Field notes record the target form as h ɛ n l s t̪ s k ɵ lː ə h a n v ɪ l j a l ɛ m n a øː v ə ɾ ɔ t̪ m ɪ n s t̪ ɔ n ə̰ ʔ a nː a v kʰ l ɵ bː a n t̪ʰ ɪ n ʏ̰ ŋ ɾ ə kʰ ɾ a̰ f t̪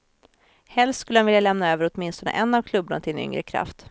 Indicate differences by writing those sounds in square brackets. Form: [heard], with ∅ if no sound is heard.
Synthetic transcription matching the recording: h ɛ [∅] l s t̪ s k ɵ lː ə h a n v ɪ l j a l ɛ m n a øː v ə ɾ ɔ t̪ m ɪ n s t̪ ɔ n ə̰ ʔ [ɛ] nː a v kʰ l ɵ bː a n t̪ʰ ɪ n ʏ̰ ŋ ɾ ə kʰ ɾ a̰ f t̪